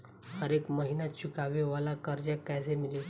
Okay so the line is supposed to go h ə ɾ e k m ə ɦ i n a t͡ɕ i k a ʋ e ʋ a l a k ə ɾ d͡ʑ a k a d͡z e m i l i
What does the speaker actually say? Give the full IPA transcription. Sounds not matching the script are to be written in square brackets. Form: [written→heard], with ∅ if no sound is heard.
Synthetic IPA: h ə ɾ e k m ə ɦ i n a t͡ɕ i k a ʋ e ʋ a l a k ə ɾ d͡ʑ a k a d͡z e m i l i